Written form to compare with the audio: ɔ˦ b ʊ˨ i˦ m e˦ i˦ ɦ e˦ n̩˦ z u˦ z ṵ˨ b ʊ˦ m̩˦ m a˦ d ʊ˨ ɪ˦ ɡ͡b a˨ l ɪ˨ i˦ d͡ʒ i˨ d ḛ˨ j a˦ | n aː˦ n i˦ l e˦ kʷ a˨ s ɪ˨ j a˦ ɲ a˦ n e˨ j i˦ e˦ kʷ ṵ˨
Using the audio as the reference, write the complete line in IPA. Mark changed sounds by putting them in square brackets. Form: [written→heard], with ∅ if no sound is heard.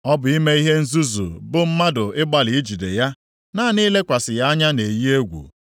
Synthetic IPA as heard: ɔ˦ b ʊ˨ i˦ m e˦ i˦ ɦ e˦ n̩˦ z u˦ z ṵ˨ b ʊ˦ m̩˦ m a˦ d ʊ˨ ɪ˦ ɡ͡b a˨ l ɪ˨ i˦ d͡ʒ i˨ d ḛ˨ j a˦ | n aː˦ n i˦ l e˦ kʷ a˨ s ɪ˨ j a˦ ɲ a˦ n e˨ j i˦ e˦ [kʷ→ɡʷ] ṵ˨